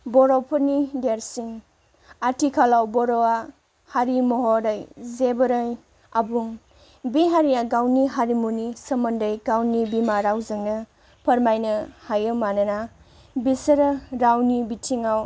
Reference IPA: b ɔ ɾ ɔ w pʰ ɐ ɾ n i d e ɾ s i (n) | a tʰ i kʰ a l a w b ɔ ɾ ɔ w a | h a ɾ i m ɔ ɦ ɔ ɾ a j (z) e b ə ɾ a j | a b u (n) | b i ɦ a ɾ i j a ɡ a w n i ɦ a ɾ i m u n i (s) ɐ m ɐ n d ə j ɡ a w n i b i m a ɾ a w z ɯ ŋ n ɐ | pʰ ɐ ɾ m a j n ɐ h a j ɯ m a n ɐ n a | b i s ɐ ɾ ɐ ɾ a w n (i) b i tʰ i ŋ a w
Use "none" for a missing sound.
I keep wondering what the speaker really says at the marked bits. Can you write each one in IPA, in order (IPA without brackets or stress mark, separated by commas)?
ŋ, z, ŋ, s, i